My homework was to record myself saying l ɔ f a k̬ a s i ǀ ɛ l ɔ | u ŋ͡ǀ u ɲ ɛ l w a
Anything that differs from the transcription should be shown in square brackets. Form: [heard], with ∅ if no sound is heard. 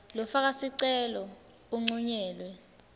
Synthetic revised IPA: l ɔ f a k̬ a s i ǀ ɛ l ɔ | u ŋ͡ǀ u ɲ [ɛː] l w [ɛ]